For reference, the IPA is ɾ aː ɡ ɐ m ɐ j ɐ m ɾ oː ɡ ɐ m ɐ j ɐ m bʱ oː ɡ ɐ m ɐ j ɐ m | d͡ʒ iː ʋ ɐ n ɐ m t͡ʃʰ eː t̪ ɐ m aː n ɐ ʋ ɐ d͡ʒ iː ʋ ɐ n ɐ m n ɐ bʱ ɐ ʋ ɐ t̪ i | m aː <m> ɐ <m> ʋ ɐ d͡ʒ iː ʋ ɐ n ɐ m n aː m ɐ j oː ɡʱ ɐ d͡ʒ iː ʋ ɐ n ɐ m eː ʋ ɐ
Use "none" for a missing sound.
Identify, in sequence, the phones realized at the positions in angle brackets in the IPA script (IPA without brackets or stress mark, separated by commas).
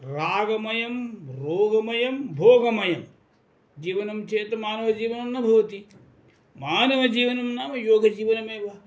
n, none